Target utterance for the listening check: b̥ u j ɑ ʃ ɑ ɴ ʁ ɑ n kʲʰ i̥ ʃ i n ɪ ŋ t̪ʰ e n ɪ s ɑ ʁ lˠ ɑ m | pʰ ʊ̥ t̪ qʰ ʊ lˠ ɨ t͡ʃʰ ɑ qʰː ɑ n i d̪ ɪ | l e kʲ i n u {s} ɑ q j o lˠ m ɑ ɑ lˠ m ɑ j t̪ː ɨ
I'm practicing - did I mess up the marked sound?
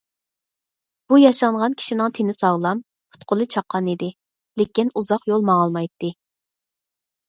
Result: yes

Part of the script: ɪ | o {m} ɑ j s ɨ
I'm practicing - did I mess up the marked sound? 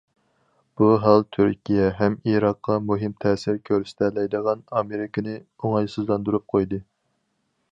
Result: yes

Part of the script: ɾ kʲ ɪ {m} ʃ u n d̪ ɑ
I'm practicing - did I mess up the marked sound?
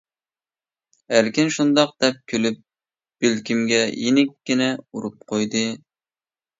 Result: yes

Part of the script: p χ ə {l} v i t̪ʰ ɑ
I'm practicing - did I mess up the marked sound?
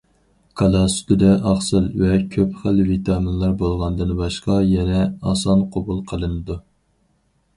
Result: no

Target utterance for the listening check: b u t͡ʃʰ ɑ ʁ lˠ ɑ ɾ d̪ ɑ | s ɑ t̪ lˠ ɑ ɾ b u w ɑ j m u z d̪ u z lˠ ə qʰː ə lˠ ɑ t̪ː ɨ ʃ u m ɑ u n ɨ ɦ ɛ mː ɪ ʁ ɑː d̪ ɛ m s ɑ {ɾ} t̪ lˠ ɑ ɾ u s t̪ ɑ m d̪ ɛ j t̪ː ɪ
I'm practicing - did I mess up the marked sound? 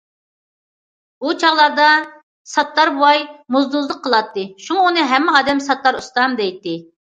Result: yes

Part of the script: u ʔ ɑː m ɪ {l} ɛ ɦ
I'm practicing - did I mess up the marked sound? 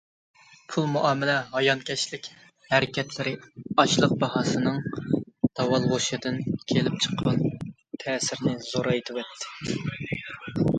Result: no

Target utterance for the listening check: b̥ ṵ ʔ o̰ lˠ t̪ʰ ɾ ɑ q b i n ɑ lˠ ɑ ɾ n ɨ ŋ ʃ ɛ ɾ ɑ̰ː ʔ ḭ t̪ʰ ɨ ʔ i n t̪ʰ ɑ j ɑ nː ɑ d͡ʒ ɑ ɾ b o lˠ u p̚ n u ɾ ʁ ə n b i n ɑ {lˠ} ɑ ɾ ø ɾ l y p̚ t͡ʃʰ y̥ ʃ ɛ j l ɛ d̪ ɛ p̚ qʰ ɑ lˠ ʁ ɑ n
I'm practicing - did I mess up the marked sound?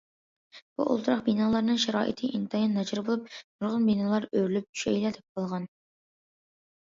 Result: no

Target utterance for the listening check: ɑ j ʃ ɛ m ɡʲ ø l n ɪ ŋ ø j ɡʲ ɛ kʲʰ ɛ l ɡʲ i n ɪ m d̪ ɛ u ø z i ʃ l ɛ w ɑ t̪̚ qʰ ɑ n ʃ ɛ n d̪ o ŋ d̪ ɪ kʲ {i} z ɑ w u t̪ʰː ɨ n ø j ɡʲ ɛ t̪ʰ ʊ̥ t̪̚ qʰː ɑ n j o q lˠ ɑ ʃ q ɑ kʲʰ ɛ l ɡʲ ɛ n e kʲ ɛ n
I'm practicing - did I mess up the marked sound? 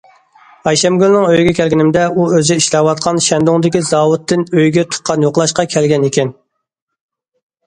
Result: no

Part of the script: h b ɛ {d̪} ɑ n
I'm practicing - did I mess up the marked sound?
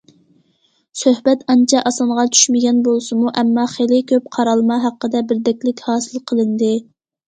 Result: yes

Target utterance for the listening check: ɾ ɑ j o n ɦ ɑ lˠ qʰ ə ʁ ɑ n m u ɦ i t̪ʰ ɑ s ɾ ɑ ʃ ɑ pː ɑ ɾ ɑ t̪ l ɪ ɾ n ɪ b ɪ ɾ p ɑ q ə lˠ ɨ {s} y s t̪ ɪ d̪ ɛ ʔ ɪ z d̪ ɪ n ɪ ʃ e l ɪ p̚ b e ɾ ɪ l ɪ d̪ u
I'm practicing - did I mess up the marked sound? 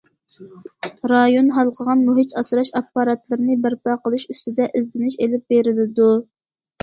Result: yes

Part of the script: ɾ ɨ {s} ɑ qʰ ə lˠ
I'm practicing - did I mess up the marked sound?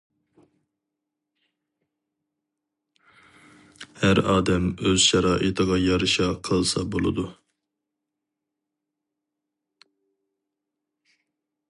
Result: yes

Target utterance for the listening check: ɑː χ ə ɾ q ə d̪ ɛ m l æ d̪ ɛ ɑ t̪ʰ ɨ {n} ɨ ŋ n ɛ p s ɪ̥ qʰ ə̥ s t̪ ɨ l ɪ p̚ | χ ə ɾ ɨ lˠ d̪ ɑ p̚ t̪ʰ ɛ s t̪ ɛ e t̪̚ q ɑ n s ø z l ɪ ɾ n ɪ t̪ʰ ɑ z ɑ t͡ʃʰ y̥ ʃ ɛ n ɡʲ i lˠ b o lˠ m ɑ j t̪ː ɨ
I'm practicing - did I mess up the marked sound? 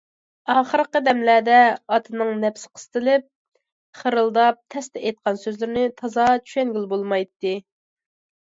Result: no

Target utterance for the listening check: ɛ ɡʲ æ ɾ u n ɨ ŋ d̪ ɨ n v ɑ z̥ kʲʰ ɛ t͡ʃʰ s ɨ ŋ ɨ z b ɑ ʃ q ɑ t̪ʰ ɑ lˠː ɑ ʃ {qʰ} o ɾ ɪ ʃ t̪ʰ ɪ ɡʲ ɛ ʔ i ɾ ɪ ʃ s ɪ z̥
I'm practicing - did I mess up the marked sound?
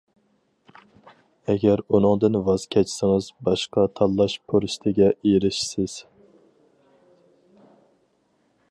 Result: yes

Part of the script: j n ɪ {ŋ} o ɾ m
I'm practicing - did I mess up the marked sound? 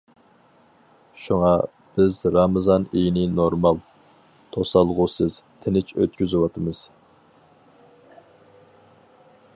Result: yes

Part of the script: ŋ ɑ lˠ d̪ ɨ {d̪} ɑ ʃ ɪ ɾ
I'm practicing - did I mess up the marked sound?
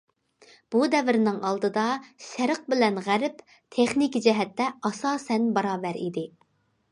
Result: no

